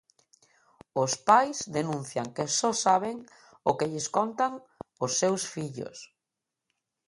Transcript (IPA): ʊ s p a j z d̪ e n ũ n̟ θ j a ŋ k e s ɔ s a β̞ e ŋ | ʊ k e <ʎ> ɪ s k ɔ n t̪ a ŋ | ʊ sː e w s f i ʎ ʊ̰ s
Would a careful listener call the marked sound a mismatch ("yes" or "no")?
no